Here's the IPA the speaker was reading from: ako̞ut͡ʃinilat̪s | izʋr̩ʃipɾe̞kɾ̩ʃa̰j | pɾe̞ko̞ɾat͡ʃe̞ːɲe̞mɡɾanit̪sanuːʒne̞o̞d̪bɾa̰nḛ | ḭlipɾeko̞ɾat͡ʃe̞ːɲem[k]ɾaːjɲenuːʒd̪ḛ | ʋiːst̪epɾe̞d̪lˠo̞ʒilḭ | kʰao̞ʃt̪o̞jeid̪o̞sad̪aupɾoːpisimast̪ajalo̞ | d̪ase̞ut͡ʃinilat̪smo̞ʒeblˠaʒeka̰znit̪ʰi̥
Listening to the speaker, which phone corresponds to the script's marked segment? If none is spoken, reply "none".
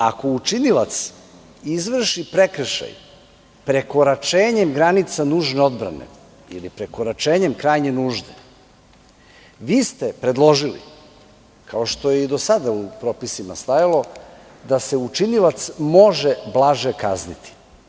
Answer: k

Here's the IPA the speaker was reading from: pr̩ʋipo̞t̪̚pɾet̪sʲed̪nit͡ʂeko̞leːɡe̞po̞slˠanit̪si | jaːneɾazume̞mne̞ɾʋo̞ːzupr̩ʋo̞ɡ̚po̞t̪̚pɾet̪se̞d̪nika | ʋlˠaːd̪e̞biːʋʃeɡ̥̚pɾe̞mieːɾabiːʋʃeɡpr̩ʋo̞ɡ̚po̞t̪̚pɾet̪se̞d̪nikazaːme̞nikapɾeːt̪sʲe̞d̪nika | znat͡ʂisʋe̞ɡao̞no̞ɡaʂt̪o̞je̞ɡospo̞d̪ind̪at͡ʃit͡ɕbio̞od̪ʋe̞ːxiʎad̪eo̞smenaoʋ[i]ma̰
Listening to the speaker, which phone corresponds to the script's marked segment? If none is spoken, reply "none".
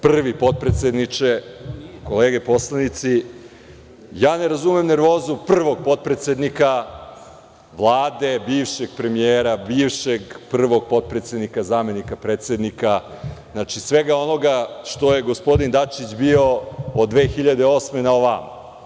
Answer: a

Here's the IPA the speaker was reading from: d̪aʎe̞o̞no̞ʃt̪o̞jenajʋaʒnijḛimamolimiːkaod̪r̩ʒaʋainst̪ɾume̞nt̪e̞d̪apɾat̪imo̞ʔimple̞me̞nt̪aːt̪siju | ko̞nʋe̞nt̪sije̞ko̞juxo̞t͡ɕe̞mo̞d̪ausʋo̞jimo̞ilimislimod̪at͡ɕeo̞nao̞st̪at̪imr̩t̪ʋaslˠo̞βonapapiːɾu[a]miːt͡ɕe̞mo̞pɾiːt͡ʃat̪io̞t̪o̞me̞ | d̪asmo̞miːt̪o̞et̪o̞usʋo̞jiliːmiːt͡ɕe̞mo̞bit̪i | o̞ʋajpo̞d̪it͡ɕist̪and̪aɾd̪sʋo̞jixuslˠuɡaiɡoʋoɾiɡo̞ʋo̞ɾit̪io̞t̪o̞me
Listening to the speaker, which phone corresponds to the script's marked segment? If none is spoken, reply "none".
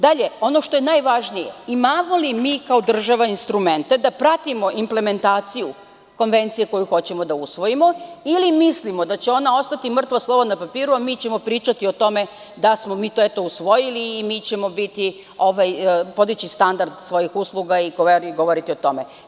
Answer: a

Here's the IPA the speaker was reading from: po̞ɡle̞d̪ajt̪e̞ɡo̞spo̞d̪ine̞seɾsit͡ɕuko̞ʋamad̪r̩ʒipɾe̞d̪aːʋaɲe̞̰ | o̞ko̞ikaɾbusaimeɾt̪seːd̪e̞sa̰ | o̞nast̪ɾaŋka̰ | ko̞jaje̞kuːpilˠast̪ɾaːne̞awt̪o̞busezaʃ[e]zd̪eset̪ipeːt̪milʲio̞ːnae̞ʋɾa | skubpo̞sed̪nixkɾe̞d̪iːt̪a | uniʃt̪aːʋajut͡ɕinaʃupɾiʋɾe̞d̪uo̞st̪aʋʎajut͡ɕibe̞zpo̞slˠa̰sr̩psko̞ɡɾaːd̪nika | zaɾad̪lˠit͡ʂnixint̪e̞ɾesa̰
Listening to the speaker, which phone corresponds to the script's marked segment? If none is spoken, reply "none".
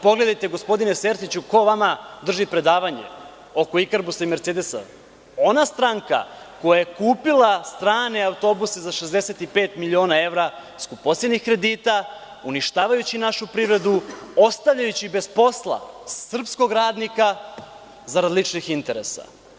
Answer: e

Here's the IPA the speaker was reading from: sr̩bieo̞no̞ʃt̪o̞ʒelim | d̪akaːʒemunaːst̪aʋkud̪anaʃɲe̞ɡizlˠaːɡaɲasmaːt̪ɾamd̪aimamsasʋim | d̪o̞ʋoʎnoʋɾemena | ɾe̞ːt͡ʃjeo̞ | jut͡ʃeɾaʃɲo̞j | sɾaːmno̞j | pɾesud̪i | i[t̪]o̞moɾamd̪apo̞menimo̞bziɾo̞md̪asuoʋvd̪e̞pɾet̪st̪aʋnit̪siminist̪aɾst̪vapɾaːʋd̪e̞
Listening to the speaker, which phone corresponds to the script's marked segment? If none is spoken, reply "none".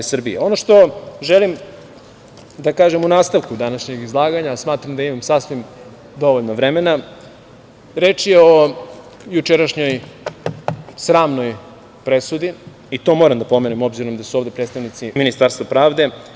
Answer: t̪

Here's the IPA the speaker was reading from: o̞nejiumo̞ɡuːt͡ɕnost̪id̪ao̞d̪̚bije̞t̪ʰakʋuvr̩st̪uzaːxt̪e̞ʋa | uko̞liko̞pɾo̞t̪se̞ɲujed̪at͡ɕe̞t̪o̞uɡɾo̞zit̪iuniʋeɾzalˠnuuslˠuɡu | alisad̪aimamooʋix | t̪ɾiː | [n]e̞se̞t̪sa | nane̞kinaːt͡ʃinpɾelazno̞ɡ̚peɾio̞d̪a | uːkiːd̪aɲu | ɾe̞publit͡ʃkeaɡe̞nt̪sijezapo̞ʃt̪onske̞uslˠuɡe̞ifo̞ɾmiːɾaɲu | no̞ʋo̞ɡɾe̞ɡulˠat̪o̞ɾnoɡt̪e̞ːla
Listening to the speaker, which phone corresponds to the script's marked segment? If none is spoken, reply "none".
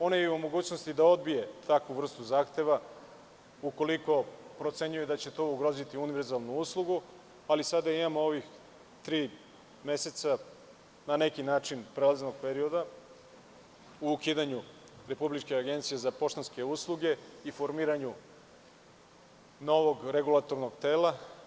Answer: m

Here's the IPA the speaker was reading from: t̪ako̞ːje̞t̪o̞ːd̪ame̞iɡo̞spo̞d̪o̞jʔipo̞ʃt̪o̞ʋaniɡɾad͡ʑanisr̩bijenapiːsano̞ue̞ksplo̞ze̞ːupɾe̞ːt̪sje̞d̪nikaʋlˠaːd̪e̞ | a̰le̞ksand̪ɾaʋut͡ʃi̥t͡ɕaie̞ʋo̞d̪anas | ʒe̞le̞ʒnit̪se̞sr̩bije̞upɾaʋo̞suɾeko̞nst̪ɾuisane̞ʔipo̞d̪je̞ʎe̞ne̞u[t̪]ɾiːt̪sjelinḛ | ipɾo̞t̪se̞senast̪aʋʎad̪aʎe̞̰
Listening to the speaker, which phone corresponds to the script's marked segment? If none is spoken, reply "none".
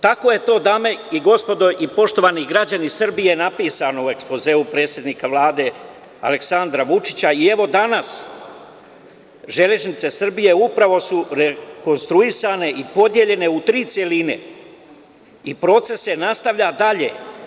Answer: t̪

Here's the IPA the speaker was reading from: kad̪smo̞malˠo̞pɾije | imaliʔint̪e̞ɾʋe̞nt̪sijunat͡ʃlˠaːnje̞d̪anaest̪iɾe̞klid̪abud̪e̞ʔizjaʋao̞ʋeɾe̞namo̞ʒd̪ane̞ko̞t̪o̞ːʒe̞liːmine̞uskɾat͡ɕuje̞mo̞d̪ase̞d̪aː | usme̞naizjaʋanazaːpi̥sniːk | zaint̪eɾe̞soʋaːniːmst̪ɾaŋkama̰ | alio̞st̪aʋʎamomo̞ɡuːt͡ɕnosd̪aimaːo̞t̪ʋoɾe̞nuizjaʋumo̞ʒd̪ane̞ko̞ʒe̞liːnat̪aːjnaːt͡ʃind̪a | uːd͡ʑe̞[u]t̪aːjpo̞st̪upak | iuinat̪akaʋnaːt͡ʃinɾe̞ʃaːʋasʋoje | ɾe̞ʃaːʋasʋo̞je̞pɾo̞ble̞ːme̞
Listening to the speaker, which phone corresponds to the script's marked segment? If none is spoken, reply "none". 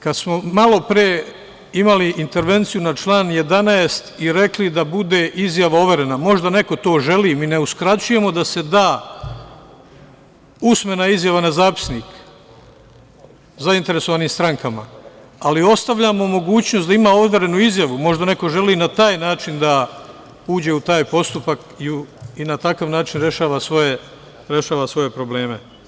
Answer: u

